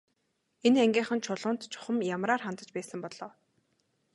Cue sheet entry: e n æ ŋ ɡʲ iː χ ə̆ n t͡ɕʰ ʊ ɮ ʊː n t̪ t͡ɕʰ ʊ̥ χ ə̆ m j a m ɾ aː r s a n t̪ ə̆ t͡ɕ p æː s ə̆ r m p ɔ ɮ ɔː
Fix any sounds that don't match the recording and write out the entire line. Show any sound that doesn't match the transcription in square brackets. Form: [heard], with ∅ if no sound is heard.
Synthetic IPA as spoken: e n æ ŋ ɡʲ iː χ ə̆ n t͡ɕʰ ʊ ɮ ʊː n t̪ t͡ɕʰ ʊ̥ χ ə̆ m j a m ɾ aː r [χ] a n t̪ ə̆ t͡ɕ p æː s ə̆ [∅] m p ɔ ɮ ɔː